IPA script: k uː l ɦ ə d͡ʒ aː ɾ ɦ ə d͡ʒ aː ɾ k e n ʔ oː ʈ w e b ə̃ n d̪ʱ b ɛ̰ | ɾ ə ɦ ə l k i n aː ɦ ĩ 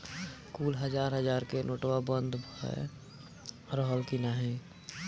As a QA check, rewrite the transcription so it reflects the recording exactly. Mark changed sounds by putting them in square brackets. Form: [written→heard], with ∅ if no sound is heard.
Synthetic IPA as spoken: k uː l ɦ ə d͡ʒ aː ɾ ɦ ə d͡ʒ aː ɾ k e n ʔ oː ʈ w [e→a] b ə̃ n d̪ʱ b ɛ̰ | ɾ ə ɦ ə l k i n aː ɦ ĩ